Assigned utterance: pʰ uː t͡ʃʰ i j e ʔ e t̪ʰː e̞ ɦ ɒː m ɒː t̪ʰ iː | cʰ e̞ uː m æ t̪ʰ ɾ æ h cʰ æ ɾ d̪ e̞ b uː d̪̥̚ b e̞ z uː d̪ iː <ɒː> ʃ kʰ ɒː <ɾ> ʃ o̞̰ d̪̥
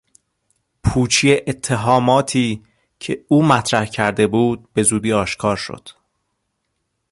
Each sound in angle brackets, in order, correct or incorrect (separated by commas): correct, correct